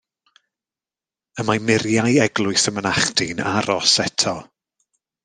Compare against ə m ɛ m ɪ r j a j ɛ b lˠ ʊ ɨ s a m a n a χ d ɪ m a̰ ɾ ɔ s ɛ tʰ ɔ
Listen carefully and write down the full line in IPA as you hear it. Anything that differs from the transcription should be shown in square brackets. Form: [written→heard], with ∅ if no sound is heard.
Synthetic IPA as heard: ə m [ɛ→a] m ɪ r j a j ɛ [b→ɡ] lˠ ʊ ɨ s [a→ə] m [a→ə] n a χ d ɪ [m→n] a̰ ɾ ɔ s ɛ tʰ ɔ